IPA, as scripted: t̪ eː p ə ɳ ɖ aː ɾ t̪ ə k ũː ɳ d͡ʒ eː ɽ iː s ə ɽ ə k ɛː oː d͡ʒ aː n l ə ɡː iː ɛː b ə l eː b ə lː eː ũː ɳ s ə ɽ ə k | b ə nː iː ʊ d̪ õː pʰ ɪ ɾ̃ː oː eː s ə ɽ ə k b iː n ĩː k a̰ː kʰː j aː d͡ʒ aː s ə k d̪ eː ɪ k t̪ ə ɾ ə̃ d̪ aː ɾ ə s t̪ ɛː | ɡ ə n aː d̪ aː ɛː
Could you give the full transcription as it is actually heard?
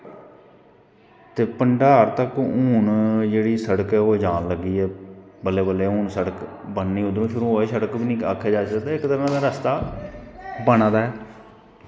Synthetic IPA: t̪ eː p ə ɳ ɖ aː ɾ t̪ ə k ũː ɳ d͡ʒ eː ɽ iː s ə ɽ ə k ɛː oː d͡ʒ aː n l ə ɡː iː ɛː b ə l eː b ə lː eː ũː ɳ s ə ɽ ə k | b ə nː iː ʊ d̪ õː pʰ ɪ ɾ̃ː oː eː s ə ɽ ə k b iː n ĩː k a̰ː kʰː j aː d͡ʒ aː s ə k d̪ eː ɪ k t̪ ə ɾ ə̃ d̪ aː ɾ ə s t̪ aː | b ə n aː d̪ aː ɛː